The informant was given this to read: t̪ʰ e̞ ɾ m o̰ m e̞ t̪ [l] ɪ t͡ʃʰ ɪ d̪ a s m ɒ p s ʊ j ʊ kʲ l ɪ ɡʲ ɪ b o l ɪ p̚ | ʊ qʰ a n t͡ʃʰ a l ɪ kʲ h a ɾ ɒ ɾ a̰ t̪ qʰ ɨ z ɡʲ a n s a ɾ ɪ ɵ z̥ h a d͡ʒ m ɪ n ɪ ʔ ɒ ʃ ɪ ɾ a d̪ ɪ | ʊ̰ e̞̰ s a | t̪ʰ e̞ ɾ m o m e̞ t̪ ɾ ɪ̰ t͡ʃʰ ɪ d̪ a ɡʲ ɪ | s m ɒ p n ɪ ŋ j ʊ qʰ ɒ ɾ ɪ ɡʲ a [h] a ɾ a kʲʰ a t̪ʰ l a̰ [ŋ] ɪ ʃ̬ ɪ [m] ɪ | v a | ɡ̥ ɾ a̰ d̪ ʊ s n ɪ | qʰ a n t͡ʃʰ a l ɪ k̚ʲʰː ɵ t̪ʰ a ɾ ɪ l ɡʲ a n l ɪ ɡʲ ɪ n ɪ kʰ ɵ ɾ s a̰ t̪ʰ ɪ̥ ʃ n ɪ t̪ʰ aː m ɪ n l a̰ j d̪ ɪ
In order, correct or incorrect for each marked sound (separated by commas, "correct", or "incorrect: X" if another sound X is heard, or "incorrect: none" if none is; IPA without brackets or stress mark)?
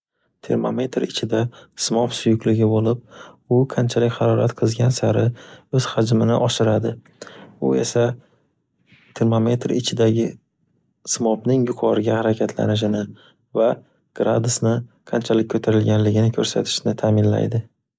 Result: incorrect: ɾ, correct, incorrect: n, incorrect: n